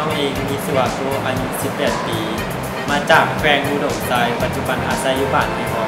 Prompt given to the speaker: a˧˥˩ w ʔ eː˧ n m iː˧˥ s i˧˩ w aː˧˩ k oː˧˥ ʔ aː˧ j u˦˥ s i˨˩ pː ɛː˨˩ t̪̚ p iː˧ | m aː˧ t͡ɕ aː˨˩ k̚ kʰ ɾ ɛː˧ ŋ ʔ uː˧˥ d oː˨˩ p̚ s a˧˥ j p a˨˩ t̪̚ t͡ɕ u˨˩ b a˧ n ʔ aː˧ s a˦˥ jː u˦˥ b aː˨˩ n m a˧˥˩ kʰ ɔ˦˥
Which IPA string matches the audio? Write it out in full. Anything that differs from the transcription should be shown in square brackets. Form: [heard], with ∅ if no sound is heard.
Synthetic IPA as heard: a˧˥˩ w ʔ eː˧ [ŋ] m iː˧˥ s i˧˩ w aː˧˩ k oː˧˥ ʔ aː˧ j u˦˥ s i˨˩ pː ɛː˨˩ t̪̚ p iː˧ | m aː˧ t͡ɕ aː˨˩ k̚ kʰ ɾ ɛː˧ ŋ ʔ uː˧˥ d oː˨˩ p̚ s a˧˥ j p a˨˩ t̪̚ t͡ɕ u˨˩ b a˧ n ʔ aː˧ s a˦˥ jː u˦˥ b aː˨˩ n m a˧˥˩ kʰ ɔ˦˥